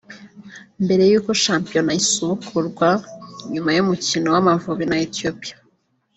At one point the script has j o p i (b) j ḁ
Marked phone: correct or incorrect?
incorrect